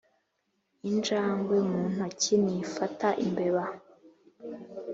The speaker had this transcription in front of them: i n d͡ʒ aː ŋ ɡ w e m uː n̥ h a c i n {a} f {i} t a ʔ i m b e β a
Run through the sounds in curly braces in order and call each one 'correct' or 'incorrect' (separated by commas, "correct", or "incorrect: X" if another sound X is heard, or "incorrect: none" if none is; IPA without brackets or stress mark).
incorrect: i, incorrect: a